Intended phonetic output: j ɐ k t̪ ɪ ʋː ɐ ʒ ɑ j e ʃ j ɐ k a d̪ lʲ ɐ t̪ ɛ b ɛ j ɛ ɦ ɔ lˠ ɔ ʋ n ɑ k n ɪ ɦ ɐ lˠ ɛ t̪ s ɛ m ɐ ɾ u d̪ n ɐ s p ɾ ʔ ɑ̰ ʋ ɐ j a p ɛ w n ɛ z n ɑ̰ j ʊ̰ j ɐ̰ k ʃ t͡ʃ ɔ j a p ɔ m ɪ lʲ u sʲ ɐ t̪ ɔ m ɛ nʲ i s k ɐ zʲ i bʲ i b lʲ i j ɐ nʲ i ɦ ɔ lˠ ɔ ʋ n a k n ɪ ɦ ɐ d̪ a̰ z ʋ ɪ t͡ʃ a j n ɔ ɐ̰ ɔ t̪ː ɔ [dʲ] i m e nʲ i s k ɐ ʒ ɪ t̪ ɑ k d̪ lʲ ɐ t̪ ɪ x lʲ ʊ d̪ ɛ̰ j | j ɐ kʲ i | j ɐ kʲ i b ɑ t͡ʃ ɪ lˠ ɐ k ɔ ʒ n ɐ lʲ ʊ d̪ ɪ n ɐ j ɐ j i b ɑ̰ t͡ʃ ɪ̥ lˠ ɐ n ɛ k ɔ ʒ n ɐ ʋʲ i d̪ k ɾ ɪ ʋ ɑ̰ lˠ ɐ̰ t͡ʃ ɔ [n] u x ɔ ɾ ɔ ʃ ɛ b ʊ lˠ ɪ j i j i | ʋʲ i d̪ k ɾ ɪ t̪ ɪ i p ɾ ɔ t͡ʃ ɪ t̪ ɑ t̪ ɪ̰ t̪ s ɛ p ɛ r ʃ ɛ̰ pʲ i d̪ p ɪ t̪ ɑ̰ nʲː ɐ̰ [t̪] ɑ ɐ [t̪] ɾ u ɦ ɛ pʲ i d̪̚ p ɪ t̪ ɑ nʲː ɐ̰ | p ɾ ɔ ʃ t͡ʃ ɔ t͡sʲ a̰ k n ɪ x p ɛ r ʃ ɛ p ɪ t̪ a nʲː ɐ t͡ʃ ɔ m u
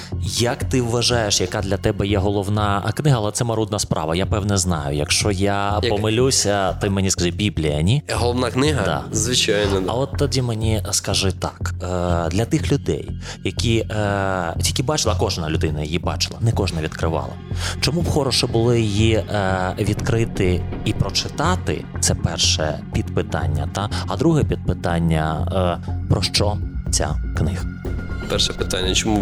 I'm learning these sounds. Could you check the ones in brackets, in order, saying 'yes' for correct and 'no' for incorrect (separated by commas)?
yes, no, yes, no